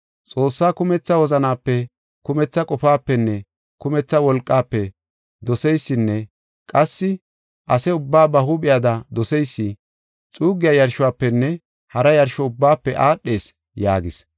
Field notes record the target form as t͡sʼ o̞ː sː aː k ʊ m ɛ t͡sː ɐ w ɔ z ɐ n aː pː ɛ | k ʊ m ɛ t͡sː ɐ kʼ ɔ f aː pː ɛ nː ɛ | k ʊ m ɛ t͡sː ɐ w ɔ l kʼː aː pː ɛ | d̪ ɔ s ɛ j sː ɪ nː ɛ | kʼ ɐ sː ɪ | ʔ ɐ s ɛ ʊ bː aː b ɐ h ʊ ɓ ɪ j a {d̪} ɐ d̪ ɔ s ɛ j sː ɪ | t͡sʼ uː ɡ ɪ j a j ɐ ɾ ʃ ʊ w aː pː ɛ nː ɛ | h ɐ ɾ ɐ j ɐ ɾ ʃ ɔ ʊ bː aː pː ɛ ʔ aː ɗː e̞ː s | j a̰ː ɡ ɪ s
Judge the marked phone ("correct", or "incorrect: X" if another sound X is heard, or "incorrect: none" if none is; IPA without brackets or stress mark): correct